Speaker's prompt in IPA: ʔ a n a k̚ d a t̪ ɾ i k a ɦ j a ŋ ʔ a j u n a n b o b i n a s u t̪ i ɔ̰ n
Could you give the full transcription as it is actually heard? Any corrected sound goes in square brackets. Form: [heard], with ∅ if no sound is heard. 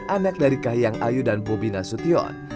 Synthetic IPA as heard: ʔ a n a k̚ d a [∅] ɾ i k a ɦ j a ŋ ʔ a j u [d] a n b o b i n a s u t̪ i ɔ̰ n